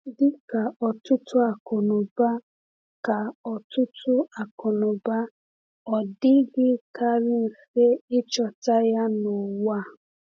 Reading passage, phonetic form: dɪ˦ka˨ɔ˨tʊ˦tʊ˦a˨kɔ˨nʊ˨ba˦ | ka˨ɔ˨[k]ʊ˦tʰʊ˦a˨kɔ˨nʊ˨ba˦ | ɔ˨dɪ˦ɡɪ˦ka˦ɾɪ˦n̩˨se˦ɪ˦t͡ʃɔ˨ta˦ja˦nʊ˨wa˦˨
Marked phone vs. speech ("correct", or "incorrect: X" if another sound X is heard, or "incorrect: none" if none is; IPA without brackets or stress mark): incorrect: t